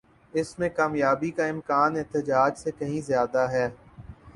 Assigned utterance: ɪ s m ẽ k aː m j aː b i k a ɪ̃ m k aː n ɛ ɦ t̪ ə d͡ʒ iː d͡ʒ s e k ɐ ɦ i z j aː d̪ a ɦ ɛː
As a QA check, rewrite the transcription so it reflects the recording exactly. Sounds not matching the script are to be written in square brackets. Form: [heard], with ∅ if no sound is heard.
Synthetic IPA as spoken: ɪ s m ẽ k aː m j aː b i k a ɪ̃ m k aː n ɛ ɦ t̪ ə d͡ʒ [aː] d͡ʒ s e k ɐ ɦ [ĩ] z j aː d̪ a ɦ ɛː